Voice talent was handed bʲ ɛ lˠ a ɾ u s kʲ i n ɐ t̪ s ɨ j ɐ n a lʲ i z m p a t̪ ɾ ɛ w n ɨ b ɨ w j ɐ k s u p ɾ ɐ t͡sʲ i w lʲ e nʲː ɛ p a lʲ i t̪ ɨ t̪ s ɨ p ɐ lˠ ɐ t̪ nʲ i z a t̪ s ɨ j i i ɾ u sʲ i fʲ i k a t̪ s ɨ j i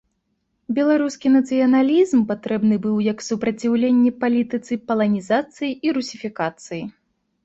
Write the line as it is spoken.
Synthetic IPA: bʲ ɛ lˠ a ɾ u s kʲ i n ɐ t̪ s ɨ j ɐ n a lʲ i z m p a t̪ ɾ ɛ b n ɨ b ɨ w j ɐ k s u p ɾ ɐ t͡sʲ i w lʲ e nʲː ɛ p a lʲ i t̪ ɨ t̪ s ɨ p ɐ lˠ ɐ nʲ i z a t̪ s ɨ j i i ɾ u sʲ i fʲ i k a t̪ s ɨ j i